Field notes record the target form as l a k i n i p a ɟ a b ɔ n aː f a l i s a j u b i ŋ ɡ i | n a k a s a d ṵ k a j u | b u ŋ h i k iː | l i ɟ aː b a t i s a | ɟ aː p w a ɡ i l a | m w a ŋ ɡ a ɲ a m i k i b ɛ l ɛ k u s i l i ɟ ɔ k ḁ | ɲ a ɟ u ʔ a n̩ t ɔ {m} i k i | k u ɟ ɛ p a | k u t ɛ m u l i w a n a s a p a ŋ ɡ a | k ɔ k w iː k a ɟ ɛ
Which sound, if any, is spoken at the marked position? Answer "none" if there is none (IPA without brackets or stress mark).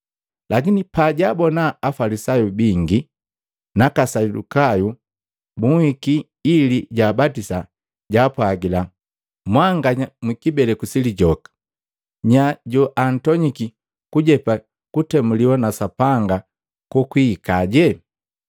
ɲ